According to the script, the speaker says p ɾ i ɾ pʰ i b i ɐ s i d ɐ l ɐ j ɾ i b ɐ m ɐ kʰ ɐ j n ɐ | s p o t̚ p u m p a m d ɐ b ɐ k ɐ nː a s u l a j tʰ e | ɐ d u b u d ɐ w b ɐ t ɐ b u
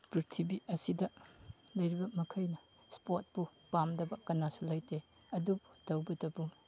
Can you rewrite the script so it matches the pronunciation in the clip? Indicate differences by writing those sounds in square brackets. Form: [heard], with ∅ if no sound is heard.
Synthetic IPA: p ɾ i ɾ [tʰ] i b i ɐ s i d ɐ l ɐ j ɾ i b ɐ m ɐ kʰ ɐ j n ɐ | s p o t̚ p u [∅] p a m d ɐ b ɐ k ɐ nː a s u l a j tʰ e | ɐ d u b u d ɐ w b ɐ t ɐ b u